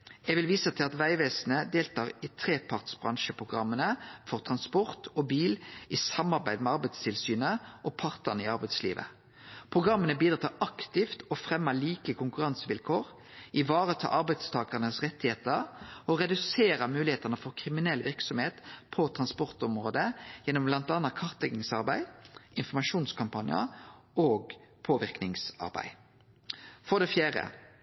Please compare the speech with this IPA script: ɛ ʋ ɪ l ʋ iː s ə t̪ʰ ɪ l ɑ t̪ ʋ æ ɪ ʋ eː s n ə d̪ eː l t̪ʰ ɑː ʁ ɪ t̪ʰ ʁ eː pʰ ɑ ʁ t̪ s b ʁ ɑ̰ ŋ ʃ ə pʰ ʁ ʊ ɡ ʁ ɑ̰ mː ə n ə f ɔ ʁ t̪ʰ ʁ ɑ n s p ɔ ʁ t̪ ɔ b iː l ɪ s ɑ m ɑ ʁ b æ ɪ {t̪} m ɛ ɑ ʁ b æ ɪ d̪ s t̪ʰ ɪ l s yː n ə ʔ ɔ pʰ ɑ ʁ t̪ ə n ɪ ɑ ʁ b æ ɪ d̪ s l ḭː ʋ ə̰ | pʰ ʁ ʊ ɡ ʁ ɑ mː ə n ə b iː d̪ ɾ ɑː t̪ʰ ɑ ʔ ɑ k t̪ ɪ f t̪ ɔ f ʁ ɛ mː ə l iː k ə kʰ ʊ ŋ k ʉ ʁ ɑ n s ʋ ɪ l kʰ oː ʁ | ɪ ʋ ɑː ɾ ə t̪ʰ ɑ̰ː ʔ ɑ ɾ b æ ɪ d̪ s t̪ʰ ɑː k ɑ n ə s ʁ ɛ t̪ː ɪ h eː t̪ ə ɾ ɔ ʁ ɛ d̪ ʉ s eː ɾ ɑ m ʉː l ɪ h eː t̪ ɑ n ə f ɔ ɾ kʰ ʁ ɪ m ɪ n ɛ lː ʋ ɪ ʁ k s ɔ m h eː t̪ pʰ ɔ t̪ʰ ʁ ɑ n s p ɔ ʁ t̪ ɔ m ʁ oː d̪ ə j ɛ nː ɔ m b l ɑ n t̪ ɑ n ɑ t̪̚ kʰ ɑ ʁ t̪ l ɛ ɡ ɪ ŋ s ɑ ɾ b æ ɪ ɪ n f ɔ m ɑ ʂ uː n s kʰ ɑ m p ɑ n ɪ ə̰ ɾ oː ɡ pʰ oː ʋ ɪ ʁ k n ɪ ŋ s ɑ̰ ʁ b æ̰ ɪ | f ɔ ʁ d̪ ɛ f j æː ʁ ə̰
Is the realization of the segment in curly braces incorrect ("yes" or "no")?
yes